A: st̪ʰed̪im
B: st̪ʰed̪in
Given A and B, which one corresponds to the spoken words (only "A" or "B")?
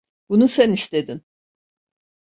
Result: B